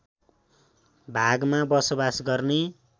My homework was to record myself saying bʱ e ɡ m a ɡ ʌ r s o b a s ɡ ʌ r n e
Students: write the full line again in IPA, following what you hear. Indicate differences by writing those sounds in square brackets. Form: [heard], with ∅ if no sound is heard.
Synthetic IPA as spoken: bʱ [a] ɡ m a [b] ʌ [∅] s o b a s ɡ ʌ r n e